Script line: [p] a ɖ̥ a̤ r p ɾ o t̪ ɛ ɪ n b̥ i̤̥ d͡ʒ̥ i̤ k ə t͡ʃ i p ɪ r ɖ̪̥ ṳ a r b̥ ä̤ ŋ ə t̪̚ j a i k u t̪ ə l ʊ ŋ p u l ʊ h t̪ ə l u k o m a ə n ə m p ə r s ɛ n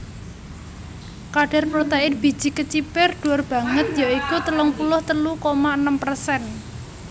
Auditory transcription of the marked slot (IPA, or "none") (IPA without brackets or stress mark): k